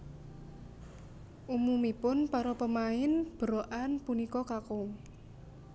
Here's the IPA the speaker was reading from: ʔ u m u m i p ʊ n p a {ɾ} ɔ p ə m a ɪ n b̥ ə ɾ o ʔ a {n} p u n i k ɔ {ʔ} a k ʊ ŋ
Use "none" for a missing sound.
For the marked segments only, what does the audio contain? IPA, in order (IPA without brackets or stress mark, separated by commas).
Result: ɾ, n, k